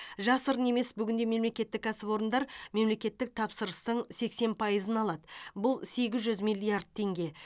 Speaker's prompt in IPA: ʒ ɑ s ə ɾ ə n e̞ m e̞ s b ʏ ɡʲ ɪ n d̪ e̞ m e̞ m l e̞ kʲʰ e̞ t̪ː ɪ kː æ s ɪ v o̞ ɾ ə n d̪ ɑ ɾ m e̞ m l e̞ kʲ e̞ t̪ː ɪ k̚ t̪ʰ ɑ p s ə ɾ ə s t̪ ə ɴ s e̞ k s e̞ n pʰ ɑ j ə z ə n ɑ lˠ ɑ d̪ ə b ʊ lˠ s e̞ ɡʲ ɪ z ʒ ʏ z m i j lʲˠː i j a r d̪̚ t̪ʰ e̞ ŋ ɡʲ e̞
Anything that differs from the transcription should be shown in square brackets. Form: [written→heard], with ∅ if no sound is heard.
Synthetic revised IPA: ʒ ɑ s ə ɾ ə n e̞ m e̞ s b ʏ ɡʲ ɪ n d̪ e̞ m e̞ m l e̞ [kʲʰ→kʲ] e̞ t̪ː ɪ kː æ s ɪ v o̞ ɾ ə n d̪ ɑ ɾ m e̞ m l e̞ kʲ e̞ t̪ː ɪ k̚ t̪ʰ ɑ p s ə ɾ ə s t̪ ə ɴ s e̞ k s e̞ n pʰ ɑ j ə z ə n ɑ lˠ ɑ d̪ ə b ʊ lˠ s e̞ ɡʲ ɪ z ʒ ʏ z m i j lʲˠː i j a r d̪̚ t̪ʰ e̞ ŋ ɡʲ e̞